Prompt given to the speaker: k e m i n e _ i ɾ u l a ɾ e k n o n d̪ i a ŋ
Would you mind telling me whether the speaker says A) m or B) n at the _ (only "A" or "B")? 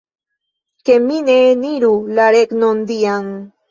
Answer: B